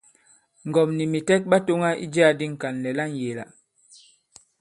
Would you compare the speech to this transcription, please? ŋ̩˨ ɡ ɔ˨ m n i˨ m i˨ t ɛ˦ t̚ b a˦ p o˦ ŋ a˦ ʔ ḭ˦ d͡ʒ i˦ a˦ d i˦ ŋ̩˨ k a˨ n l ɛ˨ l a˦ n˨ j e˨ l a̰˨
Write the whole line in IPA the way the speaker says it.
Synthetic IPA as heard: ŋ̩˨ ɡ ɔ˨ m n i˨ m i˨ t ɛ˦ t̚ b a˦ t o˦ ŋ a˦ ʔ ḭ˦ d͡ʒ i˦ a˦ d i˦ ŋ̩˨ k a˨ n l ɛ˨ l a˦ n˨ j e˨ l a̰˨